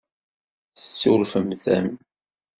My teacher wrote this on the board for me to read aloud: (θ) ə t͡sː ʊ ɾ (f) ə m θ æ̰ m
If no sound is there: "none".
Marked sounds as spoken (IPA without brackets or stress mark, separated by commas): θ, f